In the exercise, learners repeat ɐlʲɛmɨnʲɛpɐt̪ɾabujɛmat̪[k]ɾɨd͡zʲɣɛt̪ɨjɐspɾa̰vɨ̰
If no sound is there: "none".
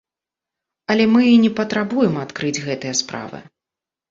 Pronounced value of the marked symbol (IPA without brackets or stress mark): k